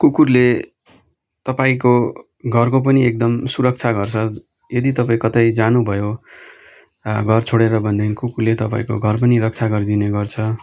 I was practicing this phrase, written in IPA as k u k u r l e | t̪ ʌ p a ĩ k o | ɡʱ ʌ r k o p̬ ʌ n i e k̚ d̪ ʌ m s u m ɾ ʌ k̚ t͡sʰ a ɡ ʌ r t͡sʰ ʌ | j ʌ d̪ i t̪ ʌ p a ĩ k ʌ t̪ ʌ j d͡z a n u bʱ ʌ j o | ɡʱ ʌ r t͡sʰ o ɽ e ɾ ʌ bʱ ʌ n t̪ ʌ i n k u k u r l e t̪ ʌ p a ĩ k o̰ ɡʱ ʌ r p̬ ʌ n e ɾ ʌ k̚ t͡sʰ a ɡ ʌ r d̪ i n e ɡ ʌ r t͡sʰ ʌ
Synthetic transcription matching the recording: k u k u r l e | t̪ ʌ p a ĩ k o | ɡʱ ʌ r k o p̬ ʌ n i e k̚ d̪ ʌ m s u ɾ ʌ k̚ t͡sʰ a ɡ ʌ r t͡sʰ ʌ | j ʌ d̪ i t̪ ʌ p a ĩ k ʌ t̪ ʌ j d͡z a n u bʱ ʌ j o | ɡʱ ʌ r t͡sʰ o ɽ e ɾ ʌ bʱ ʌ n d̪ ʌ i n k u k u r l e t̪ ʌ p a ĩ k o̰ ɡʱ ʌ r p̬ ʌ n i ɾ ʌ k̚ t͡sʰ a ɡ ʌ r d̪ i n e ɡ ʌ r t͡sʰ ʌ